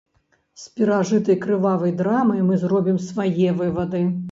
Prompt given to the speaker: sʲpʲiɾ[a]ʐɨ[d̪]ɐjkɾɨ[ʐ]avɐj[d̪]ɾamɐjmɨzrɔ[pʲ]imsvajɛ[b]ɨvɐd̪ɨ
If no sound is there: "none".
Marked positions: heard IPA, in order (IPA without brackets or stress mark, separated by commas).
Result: a, t̪, v, d̪, bʲ, v